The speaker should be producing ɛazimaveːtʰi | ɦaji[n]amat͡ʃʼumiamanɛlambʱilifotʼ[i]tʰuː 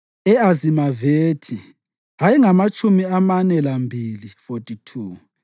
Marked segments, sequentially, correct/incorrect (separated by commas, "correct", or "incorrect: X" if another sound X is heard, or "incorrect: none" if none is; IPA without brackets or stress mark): incorrect: ŋ, correct